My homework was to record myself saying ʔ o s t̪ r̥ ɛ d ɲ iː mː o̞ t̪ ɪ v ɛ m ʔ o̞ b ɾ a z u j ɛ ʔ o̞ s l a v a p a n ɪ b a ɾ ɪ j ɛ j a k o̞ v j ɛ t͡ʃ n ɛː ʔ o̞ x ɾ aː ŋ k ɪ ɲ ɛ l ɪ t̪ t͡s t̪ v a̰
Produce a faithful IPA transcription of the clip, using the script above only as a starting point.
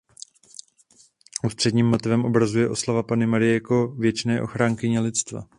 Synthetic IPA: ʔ u s t̪ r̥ ɛ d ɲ iː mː o̞ t̪ ɪ v ɛ m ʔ o̞ b ɾ a z u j ɛ ʔ o̞ s l a v a p a n ɪ m a ɾ ɪ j ɛ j a k o̞ v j ɛ t͡ʃ n ɛː ʔ o̞ x ɾ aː ŋ k ɪ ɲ ɛ l ɪ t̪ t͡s t̪ v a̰